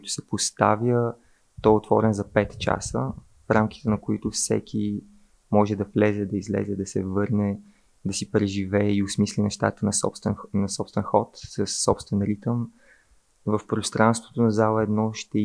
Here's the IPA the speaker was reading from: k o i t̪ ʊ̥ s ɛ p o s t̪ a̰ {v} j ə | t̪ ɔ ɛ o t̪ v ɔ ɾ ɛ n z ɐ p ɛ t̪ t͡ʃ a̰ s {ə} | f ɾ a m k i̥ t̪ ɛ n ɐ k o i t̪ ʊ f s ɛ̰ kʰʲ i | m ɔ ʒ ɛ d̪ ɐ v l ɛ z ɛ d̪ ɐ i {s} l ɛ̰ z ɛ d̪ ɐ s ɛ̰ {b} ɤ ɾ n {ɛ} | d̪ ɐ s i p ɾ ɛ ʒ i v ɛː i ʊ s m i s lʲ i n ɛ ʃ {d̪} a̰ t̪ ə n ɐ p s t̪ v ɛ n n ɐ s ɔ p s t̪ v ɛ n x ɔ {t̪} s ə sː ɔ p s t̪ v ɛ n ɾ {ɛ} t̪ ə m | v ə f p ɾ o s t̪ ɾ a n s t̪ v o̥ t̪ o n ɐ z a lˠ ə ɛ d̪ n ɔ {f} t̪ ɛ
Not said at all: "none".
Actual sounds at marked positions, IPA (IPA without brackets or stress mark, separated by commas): v, ə, z, v, ɛ, t̪, t̪, i, ʃ